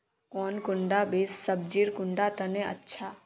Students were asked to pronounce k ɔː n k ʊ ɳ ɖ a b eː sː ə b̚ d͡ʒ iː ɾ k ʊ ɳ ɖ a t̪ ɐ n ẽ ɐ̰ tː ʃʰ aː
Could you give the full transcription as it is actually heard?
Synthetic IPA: k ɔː n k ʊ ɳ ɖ a b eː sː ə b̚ d͡ʒ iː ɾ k ʊ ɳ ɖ a t̪ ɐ n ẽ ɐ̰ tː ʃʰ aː